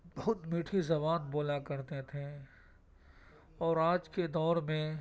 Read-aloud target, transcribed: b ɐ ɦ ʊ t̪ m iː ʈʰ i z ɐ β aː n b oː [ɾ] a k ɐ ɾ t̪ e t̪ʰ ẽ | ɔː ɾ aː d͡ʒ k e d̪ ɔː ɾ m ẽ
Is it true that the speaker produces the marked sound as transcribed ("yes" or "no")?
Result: no